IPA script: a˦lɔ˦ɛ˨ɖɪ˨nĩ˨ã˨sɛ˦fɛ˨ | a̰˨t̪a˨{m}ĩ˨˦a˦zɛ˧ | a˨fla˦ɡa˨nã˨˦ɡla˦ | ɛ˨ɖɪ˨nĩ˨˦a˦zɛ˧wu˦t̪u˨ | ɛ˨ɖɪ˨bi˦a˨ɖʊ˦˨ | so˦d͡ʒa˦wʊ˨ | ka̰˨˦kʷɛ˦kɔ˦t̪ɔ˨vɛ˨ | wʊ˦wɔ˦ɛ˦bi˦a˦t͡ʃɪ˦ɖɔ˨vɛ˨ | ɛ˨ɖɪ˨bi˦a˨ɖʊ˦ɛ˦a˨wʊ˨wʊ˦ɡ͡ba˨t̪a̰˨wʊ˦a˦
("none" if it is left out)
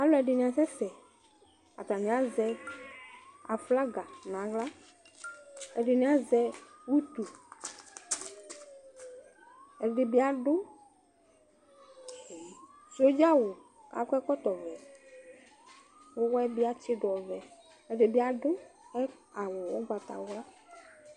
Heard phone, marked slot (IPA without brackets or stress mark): n